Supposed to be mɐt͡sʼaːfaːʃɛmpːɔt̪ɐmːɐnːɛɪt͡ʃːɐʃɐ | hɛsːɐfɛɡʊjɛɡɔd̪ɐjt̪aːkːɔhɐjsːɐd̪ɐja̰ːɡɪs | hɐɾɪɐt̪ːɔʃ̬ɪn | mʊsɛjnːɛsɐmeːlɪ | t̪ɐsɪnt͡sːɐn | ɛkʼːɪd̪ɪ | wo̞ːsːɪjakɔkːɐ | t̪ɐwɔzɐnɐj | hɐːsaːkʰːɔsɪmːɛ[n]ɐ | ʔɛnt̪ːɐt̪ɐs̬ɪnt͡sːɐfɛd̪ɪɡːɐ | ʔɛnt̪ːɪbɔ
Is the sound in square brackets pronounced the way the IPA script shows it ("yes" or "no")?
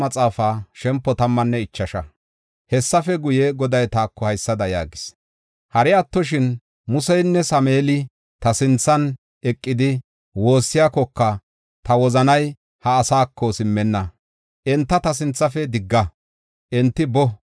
no